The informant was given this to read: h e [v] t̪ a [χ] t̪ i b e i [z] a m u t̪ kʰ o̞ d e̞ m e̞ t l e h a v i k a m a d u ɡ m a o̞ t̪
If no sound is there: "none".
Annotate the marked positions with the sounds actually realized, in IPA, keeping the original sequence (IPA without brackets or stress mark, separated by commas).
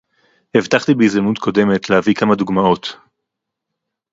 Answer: v, χ, z